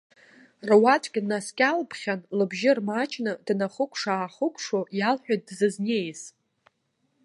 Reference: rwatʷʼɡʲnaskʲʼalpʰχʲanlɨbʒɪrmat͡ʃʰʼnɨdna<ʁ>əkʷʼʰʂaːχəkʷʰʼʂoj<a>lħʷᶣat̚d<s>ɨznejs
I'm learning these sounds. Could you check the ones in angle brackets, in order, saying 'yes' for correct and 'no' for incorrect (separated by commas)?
no, yes, no